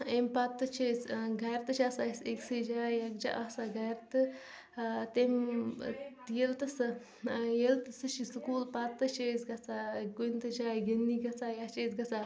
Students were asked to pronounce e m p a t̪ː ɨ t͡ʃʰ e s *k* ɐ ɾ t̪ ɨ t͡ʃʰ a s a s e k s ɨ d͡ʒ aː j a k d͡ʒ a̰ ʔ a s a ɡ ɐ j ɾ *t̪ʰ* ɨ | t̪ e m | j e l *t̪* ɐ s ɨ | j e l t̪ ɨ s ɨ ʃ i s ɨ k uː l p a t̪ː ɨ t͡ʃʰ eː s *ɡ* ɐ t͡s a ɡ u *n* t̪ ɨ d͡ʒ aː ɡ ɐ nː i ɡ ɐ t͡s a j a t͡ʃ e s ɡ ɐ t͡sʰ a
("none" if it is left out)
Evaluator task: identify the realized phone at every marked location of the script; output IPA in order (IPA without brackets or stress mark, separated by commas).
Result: ɡ, t̪, t̪, ɡ, n